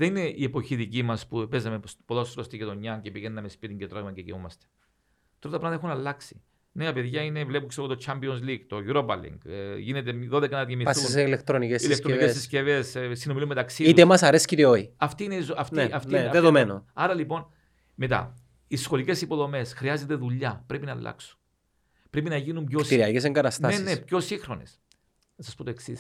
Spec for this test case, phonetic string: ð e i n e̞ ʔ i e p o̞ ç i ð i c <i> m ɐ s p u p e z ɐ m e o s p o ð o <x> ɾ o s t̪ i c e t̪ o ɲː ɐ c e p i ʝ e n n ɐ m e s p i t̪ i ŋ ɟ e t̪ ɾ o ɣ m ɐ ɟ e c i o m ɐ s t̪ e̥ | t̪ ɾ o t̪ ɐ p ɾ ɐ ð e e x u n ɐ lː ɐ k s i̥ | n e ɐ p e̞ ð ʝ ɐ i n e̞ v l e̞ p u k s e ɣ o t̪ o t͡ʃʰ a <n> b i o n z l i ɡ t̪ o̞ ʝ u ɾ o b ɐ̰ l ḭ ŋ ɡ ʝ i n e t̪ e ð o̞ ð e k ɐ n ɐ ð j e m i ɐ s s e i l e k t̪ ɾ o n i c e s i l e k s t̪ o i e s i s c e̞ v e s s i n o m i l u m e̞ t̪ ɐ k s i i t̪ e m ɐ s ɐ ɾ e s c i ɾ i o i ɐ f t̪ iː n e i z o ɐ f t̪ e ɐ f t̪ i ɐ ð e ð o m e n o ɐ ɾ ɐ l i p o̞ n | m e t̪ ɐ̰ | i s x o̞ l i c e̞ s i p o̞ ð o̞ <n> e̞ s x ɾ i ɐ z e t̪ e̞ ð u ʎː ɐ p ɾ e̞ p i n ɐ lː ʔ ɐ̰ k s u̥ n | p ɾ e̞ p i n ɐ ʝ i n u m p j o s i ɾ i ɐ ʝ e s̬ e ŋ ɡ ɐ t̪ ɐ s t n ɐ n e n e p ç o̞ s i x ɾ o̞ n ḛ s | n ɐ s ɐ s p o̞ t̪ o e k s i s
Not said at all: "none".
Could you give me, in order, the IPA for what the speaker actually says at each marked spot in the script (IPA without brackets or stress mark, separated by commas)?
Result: i, s, m, m